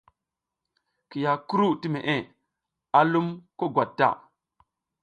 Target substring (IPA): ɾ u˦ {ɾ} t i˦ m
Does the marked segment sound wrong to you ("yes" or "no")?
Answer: yes